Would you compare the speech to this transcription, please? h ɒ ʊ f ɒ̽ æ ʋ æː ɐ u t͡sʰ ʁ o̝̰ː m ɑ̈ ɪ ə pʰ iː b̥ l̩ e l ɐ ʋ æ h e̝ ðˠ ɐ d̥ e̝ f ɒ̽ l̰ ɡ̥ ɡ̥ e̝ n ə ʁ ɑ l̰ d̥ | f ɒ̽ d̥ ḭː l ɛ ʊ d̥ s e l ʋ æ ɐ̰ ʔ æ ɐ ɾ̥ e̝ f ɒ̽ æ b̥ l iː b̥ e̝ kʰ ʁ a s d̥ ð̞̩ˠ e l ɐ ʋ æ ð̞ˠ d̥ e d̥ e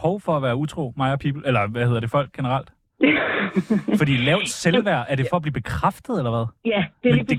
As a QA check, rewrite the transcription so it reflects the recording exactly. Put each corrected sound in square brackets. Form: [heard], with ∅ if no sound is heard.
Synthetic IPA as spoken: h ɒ ʊ f ɒ̽ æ ʋ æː ɐ u t͡sʰ ʁ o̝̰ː m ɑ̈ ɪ [ɐ] pʰ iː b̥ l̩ e l ɐ ʋ æ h e̝ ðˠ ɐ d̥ e̝ f ɒ̽ l̰ ɡ̥ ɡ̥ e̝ n ə ʁ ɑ l̰ d̥ | f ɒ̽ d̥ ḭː l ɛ ʊ d̥ s e l ʋ æ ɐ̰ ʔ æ ɐ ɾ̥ e̝ f ɒ̽ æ b̥ l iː b̥ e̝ kʰ ʁ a [f] d̥ ð̞̩ˠ e l ɐ ʋ æ ð̞ˠ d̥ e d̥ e